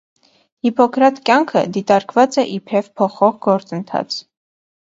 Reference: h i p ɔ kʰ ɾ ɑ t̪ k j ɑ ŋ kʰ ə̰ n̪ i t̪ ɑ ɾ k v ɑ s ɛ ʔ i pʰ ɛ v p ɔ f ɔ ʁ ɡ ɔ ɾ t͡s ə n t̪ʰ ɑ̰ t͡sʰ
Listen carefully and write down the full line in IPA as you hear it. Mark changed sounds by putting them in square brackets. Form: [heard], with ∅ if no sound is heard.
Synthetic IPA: h i p ɔ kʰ ɾ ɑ t̪ k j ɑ ŋ kʰ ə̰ [d̪] i t̪ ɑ ɾ k v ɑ [t͡s] ɛ ʔ i pʰ ɛ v [pʰ] ɔ [χ] ɔ ʁ ɡ ɔ ɾ t͡s ə n t̪ʰ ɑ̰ t͡sʰ